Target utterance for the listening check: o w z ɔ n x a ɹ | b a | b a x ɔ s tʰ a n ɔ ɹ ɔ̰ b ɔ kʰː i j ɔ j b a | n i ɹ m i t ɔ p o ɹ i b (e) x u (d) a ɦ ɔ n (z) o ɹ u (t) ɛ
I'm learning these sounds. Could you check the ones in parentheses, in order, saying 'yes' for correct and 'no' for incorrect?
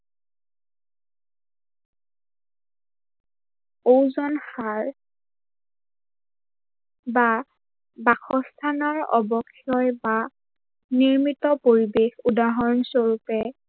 yes, yes, no, no

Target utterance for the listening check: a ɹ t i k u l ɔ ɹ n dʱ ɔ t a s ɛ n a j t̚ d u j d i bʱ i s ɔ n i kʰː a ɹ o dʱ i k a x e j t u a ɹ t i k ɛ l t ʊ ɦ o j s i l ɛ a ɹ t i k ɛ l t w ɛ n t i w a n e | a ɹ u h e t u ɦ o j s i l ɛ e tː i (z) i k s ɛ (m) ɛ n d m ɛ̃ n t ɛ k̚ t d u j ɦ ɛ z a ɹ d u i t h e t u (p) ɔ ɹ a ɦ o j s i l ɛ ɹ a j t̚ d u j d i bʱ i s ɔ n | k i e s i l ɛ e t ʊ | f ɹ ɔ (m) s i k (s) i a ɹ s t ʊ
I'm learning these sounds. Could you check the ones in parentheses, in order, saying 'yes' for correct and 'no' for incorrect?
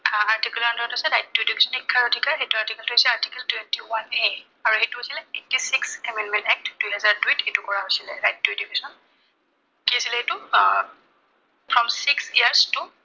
no, yes, no, yes, yes

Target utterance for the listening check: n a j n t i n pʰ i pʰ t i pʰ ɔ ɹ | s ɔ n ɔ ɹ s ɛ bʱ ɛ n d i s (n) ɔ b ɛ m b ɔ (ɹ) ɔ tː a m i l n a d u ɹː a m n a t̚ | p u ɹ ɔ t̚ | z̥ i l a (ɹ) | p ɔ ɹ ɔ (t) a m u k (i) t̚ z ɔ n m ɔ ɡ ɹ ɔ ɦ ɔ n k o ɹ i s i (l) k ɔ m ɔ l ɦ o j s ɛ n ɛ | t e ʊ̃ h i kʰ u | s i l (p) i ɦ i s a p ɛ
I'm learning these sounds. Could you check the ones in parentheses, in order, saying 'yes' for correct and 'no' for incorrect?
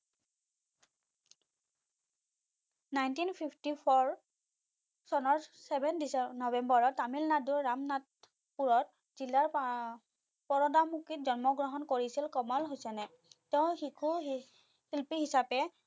yes, yes, yes, no, yes, yes, yes

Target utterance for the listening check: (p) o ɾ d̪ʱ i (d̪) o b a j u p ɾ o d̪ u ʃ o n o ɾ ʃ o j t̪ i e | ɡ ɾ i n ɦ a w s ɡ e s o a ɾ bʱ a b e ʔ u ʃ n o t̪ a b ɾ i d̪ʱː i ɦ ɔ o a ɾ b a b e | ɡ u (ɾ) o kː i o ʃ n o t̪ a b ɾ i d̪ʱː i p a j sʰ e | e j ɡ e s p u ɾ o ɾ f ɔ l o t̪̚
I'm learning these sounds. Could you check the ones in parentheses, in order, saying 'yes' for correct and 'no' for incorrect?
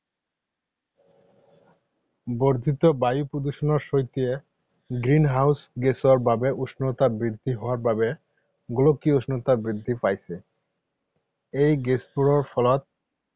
no, no, no

